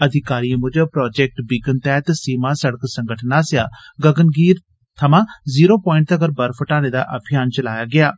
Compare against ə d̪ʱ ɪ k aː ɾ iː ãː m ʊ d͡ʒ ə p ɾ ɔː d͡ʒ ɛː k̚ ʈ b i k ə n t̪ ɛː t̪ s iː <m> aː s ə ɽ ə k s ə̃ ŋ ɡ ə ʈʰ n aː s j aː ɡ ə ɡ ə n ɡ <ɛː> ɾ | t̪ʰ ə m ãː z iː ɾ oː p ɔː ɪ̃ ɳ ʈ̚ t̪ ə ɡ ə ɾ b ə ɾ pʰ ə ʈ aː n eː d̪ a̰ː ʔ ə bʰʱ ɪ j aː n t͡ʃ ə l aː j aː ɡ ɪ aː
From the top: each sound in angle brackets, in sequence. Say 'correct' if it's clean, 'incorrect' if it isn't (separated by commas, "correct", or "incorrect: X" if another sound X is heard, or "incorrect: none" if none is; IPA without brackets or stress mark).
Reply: correct, incorrect: iː